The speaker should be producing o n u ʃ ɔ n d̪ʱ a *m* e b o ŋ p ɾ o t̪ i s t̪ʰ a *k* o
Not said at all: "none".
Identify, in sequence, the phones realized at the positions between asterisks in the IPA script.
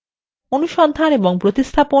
n, p

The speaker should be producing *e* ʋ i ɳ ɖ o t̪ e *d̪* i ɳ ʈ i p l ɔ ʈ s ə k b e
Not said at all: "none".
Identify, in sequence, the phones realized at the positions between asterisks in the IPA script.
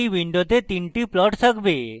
i, t̪

